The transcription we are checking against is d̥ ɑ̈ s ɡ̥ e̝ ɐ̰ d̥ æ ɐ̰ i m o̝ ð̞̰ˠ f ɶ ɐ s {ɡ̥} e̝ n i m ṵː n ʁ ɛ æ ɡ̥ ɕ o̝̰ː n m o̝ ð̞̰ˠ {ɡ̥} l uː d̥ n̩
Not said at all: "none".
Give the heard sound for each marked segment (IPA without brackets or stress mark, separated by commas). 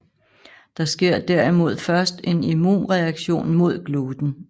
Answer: d̥, ɡ̥